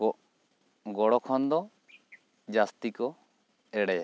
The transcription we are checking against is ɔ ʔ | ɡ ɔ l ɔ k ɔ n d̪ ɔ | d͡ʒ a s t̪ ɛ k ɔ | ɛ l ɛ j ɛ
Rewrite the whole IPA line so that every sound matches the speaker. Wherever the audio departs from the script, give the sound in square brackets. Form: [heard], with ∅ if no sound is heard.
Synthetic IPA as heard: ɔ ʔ | ɡ ɔ [ɽ] ɔ [kʰ] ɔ n d̪ ɔ | d͡ʒ a s t̪ [i] k ɔ | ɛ [ɽ] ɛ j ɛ